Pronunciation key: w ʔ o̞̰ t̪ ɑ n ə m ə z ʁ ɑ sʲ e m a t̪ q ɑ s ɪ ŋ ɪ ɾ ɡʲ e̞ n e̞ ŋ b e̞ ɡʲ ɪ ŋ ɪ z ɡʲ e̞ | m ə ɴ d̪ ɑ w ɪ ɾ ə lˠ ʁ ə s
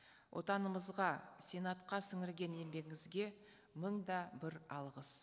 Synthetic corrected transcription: w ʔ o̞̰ t̪ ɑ n ə m ə z ʁ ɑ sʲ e n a t̪ q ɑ s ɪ ŋ ɪ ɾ ɡʲ e̞ n e̞ m b e̞ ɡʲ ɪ ŋ ɪ z ɡʲ e̞ | m ə ɴ d̪ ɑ b ɪ ɾ ɑ lˠ ʁ ə s